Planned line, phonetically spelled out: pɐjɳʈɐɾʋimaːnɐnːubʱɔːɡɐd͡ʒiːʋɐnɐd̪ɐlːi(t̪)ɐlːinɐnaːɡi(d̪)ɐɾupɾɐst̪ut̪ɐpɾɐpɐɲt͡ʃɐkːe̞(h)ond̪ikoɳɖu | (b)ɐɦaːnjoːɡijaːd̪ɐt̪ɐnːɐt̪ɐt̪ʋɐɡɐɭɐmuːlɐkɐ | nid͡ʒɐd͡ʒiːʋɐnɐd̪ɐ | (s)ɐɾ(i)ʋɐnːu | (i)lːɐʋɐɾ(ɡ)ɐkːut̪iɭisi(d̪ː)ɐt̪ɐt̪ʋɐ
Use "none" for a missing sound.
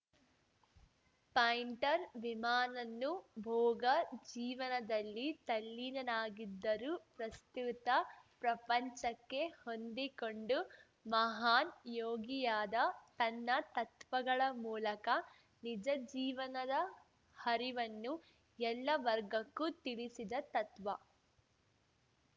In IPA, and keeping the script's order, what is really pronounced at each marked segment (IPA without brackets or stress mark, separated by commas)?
t̪, d̪ː, h, m, h, i, ɛ, ɡ, d̪